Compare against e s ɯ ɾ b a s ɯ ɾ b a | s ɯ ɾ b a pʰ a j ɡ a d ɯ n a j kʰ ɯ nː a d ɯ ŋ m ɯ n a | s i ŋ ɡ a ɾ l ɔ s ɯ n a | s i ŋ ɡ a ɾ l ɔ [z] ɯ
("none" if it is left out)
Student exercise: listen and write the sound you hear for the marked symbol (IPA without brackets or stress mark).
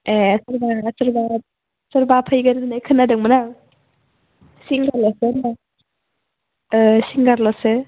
s